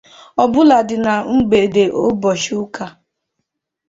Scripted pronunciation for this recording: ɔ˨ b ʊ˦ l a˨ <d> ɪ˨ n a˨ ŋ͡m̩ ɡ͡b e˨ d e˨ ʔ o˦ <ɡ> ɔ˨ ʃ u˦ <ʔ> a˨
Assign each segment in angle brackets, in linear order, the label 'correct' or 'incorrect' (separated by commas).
correct, incorrect, incorrect